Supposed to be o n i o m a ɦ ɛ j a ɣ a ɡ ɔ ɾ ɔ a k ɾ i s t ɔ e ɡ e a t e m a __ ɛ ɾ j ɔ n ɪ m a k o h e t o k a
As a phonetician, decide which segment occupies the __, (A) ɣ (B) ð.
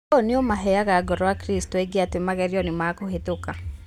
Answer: A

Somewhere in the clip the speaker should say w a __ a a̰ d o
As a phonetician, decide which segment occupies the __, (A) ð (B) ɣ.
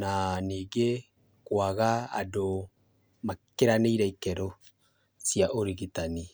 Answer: B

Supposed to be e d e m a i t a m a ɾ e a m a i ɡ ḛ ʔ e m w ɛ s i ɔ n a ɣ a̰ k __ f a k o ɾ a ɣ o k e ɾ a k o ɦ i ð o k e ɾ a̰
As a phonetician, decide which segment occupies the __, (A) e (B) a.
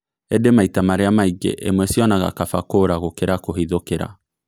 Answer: B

